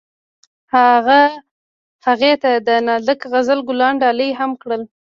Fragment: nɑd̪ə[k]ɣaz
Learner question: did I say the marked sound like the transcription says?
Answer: yes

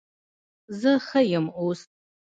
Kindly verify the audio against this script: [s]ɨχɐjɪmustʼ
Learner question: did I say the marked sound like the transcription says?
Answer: no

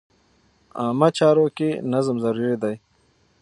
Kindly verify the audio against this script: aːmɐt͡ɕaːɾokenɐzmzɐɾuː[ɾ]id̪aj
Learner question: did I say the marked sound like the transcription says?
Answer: yes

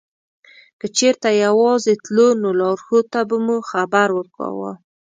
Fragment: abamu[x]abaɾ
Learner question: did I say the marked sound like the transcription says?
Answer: yes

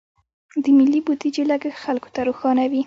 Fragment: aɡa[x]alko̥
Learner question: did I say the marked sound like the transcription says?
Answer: yes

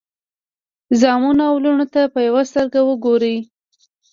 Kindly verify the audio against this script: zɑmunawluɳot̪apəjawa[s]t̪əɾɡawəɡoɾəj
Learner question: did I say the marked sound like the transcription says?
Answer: yes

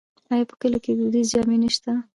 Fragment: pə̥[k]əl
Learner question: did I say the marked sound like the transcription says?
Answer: yes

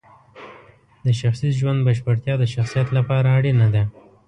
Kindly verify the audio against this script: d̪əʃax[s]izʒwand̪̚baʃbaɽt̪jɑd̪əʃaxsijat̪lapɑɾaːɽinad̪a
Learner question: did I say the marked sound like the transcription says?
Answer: yes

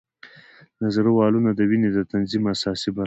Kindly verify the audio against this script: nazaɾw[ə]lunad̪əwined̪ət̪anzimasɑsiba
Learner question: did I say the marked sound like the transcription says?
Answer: no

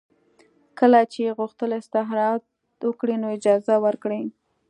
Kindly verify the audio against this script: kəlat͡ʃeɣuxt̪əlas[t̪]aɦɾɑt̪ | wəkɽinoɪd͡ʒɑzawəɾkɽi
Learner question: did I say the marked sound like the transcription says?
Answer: yes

